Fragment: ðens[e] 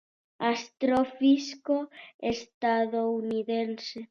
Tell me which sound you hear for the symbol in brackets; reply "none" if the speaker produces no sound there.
e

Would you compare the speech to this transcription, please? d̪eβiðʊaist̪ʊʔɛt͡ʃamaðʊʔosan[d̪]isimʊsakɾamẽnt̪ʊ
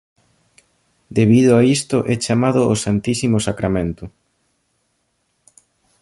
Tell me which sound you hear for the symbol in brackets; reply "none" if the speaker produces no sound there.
t̪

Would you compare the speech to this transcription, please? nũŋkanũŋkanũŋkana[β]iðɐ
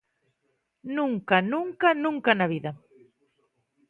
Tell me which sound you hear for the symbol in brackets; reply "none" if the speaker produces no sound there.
β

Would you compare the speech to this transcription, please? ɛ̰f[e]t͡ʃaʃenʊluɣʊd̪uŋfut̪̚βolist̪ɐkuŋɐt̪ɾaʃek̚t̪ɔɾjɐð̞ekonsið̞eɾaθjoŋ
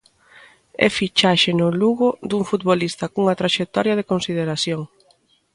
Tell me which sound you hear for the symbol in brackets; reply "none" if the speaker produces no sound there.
i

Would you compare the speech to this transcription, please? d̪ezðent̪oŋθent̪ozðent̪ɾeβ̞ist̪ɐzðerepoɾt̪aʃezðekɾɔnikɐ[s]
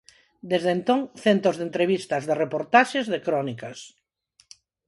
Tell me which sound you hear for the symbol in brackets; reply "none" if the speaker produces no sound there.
s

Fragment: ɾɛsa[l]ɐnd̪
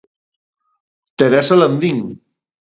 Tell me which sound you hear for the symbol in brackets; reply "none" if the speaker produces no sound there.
l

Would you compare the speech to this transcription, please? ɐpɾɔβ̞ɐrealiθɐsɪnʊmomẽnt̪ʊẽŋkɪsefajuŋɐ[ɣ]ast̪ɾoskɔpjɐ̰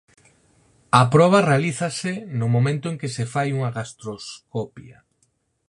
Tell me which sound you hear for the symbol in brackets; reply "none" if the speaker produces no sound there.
ɣ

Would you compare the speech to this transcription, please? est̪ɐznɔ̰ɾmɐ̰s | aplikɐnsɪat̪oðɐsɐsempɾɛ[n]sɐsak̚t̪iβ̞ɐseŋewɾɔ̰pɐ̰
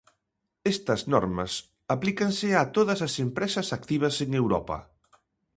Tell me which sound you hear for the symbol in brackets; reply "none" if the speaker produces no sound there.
none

